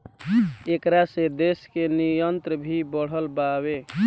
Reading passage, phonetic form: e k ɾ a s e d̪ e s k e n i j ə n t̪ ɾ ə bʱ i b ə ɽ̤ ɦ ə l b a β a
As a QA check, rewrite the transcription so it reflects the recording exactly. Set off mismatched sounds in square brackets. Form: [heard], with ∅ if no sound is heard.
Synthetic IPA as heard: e k ɾ a s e d̪ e s k e n i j ə n t̪ ɾ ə bʱ i b ə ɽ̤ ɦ ə l b a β [e]